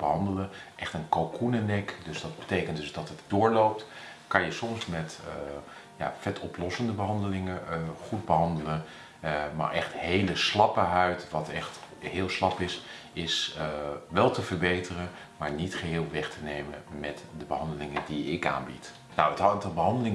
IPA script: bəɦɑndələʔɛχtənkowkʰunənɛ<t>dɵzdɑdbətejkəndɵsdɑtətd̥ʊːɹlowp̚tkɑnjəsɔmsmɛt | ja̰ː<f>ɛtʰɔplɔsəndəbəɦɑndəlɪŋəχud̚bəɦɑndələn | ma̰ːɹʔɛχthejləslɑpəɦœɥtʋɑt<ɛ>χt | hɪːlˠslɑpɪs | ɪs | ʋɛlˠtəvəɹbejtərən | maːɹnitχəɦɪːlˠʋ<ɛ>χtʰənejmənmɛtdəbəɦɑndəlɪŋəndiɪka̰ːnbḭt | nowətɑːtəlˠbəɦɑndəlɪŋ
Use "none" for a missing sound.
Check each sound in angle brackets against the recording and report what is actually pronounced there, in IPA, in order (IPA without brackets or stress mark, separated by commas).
k, f, ɛ, ɛ